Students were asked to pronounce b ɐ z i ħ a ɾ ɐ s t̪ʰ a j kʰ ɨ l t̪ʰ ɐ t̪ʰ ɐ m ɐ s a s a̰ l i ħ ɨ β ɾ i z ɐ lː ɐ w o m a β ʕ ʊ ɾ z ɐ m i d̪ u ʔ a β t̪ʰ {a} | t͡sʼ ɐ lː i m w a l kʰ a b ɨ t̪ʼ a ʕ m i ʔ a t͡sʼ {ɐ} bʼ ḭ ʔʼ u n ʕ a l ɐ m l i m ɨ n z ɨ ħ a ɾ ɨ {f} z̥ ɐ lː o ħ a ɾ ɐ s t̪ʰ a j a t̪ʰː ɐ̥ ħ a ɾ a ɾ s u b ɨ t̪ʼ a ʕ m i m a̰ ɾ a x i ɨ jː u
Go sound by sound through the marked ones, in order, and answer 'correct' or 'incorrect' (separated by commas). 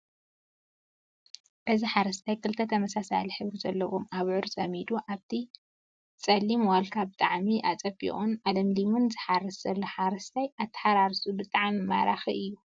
incorrect, correct, incorrect